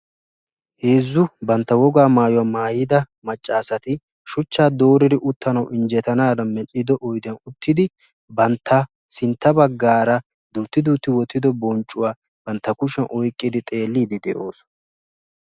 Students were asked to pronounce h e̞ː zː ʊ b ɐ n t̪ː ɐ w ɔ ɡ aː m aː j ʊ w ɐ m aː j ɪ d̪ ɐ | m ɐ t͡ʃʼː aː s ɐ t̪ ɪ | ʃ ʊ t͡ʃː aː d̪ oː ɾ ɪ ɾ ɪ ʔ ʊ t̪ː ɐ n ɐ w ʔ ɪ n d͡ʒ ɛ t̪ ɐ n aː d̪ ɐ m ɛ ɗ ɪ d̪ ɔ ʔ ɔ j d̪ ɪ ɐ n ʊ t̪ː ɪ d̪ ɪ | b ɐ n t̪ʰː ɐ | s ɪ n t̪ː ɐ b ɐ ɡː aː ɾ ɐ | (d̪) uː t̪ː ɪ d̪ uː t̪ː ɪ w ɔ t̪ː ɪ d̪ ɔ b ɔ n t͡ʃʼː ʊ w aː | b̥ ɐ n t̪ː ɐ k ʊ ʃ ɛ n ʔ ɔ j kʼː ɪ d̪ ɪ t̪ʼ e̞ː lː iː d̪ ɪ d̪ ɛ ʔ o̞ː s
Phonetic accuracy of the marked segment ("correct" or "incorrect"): correct